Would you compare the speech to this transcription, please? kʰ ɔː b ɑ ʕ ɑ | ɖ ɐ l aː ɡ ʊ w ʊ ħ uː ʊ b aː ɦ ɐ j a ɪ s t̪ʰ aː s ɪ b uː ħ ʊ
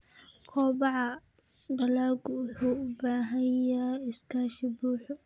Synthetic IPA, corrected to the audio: kʰ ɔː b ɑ ʕ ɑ | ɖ ɐ l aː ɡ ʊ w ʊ ħ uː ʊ b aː ɦ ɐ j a ɪ s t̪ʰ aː ʃ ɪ b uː ħ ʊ